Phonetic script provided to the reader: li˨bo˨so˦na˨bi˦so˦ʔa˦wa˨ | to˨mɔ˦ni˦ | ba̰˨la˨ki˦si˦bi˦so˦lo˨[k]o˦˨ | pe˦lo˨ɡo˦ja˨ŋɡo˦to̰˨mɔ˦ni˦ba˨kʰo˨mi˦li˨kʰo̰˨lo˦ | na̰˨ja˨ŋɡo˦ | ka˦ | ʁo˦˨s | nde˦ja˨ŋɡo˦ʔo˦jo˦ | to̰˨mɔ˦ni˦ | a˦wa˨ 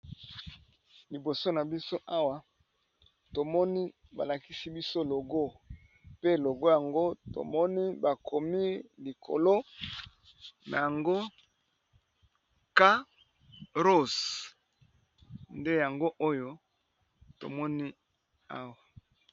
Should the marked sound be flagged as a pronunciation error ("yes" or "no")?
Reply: yes